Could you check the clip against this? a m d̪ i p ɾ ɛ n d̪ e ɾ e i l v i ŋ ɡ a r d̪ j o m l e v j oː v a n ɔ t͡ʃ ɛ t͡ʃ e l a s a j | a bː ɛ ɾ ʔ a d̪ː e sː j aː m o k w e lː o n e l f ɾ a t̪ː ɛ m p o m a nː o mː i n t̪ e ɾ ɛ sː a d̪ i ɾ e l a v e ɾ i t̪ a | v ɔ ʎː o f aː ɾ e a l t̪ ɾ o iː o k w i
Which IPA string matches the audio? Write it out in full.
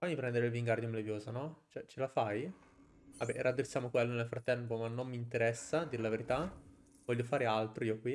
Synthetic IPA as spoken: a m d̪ i p ɾ ɛ n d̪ e ɾ e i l v i ŋ ɡ a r d̪ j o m l e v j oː z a n ɔ t͡ʃ ɛ t͡ʃ e l a f a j | a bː ɛ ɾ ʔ a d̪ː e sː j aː m o k w e lː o n e l f ɾ a t̪ː ɛ m p o m a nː o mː i n t̪ e ɾ ɛ sː a d̪ i ɾ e l a v e ɾ i t̪ a | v ɔ ʎː o f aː ɾ e a l t̪ ɾ o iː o k w i